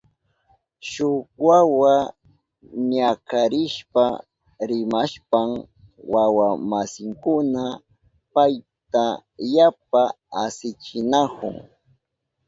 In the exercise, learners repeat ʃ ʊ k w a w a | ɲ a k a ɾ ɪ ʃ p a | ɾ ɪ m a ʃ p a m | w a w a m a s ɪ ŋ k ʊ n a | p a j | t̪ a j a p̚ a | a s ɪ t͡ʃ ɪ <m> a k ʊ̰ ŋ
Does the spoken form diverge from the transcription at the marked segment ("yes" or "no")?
yes